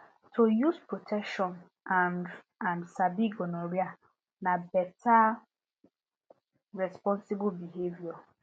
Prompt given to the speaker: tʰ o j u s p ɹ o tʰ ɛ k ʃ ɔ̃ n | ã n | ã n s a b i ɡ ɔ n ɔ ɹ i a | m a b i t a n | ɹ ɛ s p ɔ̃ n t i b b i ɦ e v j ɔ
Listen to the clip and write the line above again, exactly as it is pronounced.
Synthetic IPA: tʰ o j u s p ɹ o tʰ ɛ k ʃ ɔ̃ n | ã n | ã n s a b i ɡ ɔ n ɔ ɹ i a | n a b ɛ t a | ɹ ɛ s p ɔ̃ n s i b b i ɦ e v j ɔ